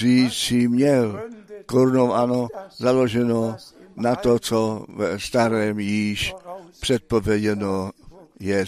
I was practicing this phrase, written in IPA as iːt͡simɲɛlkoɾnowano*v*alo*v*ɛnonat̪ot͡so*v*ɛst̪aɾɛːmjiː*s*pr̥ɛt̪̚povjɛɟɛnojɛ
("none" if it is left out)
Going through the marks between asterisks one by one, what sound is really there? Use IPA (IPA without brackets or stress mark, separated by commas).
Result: z, ʒ, v, ʃ